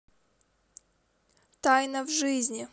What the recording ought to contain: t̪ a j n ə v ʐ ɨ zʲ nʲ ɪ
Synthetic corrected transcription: t̪ a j n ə v ʐ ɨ zʲ nʲ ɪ